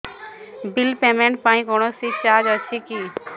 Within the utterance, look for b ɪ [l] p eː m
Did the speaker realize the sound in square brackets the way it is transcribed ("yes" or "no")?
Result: yes